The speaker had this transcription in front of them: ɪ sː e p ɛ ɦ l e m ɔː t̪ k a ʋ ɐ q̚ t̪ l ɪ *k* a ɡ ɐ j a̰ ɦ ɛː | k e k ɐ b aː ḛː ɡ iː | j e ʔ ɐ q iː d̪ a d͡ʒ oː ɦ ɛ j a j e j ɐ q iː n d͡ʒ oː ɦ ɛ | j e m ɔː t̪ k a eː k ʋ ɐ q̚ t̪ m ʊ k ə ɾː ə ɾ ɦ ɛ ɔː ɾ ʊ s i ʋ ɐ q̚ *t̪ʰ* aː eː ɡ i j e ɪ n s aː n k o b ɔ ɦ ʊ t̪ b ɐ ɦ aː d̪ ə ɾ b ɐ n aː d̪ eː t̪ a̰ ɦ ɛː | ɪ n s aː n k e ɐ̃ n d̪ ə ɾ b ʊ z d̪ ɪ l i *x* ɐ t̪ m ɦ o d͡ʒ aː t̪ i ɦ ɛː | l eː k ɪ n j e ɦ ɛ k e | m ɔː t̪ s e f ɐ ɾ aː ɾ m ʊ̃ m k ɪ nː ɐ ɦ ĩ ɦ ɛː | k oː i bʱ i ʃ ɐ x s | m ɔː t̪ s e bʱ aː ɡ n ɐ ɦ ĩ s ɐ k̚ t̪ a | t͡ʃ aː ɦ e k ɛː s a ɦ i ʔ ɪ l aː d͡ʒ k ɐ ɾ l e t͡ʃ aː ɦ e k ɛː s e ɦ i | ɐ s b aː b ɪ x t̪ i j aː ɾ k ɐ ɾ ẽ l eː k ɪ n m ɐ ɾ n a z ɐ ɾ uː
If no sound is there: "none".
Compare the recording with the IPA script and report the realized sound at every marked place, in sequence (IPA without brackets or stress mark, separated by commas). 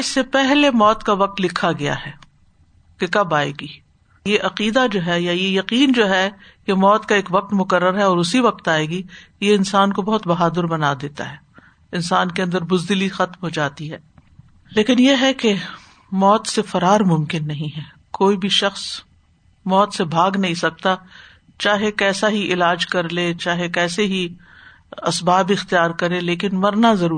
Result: kʰ, t̪, x